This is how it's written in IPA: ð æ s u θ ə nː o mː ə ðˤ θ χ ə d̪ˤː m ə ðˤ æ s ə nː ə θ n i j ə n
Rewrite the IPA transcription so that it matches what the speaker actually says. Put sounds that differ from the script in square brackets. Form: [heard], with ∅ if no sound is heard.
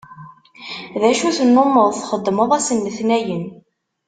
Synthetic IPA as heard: ð æ [ʃ] u θ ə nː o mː ə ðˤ θ χ ə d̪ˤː m ə ðˤ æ s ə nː ə θ n [æ] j ə n